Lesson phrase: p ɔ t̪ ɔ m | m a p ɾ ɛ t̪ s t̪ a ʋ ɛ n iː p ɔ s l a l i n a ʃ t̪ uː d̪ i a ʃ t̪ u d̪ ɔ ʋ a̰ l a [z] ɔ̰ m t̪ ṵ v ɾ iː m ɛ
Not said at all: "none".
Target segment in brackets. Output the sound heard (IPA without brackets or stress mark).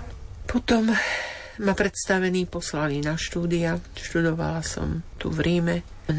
s